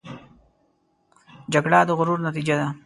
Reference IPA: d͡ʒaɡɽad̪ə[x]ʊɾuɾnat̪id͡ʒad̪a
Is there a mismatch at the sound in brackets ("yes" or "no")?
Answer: yes